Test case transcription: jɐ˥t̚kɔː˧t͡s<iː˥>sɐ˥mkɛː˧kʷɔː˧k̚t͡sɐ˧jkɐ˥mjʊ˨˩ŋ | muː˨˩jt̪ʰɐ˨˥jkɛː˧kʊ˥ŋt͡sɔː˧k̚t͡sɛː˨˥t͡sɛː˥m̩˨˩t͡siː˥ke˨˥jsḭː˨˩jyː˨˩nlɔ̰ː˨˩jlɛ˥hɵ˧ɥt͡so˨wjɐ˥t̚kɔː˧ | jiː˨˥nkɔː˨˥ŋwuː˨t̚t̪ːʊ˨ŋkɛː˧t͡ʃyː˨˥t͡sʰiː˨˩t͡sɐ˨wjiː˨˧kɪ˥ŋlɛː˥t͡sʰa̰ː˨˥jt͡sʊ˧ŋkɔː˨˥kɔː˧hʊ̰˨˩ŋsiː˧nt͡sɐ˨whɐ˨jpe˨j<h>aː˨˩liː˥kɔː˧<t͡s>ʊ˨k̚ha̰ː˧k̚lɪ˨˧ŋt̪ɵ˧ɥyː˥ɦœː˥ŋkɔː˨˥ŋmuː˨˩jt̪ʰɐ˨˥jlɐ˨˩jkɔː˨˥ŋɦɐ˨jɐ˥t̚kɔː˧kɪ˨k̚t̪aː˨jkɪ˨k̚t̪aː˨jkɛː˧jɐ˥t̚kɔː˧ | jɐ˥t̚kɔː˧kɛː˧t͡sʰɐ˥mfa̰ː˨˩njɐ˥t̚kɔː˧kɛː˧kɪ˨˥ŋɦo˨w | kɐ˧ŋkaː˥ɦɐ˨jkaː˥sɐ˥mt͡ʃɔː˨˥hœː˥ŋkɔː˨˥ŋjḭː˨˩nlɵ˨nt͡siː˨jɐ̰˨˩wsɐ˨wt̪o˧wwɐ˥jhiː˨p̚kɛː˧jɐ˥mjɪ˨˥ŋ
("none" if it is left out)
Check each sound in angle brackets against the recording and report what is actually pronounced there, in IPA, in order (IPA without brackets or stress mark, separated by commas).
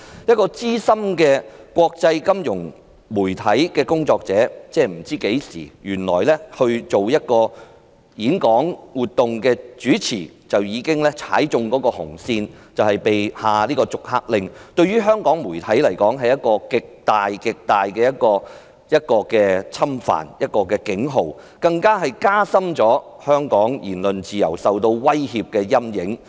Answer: iː˥, h, t͡s